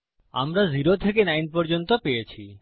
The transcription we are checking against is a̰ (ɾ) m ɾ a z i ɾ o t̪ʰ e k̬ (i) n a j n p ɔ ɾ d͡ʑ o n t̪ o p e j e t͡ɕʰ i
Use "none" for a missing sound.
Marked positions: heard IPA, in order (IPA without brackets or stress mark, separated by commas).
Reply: none, e